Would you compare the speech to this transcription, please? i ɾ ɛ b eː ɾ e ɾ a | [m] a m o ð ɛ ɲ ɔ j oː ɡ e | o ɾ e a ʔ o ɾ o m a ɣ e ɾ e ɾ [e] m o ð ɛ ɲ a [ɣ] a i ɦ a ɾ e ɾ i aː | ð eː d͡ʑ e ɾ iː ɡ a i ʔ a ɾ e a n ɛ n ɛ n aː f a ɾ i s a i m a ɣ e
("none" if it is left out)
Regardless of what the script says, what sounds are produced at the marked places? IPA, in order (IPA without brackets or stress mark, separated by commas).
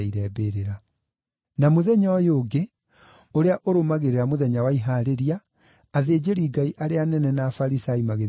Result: n, a, w